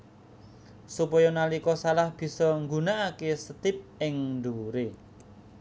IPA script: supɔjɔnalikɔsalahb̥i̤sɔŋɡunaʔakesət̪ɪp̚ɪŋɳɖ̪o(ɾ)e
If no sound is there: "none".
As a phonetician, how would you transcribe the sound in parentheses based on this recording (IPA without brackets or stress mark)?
ɾ